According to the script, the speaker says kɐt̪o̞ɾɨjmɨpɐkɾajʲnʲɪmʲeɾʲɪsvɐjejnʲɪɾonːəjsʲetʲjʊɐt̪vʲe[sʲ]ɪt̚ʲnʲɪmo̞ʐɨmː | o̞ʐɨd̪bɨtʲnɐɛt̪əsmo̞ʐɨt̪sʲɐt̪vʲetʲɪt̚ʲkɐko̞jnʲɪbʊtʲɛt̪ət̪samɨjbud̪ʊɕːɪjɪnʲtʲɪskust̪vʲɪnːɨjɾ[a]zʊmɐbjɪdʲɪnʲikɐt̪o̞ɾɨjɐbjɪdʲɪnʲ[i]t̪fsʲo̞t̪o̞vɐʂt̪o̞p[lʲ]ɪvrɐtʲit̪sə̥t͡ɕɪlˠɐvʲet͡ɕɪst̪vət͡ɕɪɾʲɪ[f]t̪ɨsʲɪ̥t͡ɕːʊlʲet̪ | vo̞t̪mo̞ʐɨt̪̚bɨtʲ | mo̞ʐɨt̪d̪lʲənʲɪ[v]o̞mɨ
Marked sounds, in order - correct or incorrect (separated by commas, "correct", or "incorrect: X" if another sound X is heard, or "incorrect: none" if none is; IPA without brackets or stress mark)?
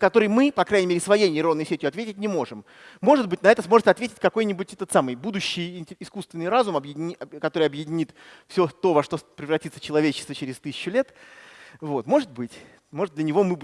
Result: incorrect: tʲ, correct, correct, incorrect: ɾʲ, incorrect: s, correct